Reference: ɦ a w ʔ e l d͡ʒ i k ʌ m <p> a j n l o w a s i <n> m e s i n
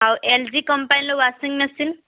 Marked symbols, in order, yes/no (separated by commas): yes, no